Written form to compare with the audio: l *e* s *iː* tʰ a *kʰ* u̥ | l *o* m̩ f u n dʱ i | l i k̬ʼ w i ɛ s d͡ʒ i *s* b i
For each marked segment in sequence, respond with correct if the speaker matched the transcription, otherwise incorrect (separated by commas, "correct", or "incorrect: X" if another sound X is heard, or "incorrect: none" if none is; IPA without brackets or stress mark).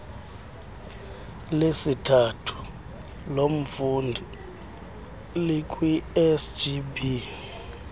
correct, incorrect: i, incorrect: tʰ, correct, incorrect: none